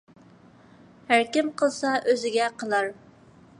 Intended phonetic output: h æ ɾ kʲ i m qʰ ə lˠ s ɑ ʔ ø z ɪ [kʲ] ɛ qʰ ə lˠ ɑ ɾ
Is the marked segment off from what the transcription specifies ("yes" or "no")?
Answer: yes